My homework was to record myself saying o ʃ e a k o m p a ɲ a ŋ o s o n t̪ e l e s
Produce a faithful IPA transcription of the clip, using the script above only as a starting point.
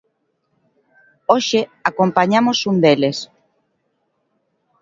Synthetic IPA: o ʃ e a k o m p a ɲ a m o s u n d̪ e l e s